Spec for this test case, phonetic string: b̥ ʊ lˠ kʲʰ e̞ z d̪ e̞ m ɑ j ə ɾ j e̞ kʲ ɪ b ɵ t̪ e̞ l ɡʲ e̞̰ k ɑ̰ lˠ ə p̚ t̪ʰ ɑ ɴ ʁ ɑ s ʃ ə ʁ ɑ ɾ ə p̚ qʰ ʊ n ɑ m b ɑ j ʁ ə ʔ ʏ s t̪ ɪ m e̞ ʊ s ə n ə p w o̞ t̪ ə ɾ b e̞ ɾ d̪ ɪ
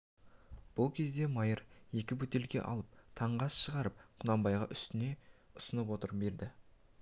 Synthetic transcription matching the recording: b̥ ʊ lˠ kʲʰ e̞ z d̪ e̞ m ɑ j ə ɾ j e̞ kʲ ɪ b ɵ t̪ e̞ l ɡʲ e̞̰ ʔ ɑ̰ lˠ ə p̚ t̪ʰ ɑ ɴ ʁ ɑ s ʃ ə ʁ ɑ ɾ ə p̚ qʰ ʊ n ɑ m b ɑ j ʁ ɑ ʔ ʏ s t̪ ɪ n e̞ ʊ s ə n ə p w o̞ t̪ ə ɾ b e̞ ɾ d̪ ɪ